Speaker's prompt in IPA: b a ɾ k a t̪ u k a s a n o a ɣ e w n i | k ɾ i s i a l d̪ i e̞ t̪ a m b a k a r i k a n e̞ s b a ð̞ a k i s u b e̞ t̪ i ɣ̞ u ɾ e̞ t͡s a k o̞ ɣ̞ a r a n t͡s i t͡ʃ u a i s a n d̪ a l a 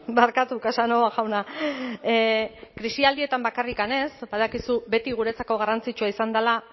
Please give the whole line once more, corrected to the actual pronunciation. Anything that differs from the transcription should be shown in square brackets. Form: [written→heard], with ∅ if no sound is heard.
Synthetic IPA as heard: b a ɾ k a t̪ u k a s a n o a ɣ [e→a] w n [i→a] | k ɾ i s i a l d̪ i e̞ t̪ a m b a k a r i k a n e̞ s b a ð̞ a k i s u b e̞ t̪ i ɣ̞ u ɾ e̞ t͡s a k o̞ ɣ̞ a r a n t͡s i t͡ʃ u a i s a n d̪ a l a